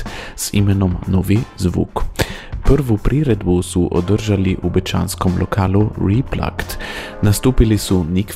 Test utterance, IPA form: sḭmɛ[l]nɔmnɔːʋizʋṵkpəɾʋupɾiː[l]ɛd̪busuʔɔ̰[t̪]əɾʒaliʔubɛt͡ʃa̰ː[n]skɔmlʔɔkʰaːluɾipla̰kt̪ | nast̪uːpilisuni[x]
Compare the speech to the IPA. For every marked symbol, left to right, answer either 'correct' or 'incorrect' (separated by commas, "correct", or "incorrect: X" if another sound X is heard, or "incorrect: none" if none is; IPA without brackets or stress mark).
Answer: incorrect: none, incorrect: ɾ, incorrect: d̪, correct, incorrect: k